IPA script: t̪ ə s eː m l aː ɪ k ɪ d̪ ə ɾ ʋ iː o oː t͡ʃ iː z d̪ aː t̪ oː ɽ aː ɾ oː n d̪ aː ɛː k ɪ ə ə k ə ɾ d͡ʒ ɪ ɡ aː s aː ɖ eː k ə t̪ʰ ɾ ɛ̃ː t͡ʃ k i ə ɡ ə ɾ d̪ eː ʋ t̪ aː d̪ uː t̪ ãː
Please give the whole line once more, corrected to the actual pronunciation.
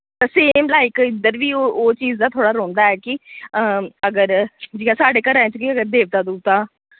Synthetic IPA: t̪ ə s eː m l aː ɪ k ɪ d̪ ə ɾ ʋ iː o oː t͡ʃ iː z d̪ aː t̪ʰ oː ɽ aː ɾ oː n d̪ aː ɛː k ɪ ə ə ɡ ə ɾ d͡ʒ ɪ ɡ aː s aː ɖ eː k ə ɾ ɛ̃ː t͡ʃ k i ə ɡ ə ɾ d̪ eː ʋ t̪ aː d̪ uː t̪ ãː